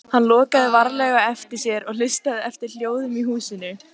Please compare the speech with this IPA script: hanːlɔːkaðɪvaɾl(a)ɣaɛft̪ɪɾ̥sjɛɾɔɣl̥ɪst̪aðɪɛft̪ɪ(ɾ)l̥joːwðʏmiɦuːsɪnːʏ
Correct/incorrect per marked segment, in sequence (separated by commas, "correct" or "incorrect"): incorrect, correct